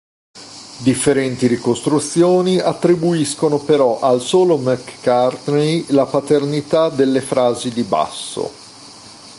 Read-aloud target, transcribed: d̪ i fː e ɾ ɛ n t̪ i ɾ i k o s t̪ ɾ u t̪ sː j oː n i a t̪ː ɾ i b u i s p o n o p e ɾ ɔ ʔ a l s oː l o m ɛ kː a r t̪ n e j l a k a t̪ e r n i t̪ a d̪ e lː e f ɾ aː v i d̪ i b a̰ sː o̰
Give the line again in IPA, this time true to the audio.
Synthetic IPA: d̪ i fː e ɾ ɛ n t̪ i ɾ i k o s t̪ ɾ u t̪ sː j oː n i a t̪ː ɾ i b u i s k o n o p e ɾ ɔ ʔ a l s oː l o m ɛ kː a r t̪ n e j l a p a t̪ e r n i t̪ a d̪ e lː e f ɾ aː z i d̪ i b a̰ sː o̰